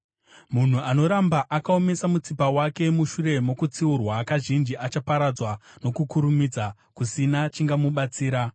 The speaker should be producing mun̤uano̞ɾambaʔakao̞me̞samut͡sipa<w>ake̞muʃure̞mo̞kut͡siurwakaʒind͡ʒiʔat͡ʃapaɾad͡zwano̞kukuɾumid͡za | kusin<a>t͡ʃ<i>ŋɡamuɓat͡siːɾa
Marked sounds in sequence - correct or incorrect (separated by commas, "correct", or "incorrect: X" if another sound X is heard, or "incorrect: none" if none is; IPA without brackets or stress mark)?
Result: correct, correct, correct